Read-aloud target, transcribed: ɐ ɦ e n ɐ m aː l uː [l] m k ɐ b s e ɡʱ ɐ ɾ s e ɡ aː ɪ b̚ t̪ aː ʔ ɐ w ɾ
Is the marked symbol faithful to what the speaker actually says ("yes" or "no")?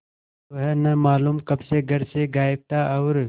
no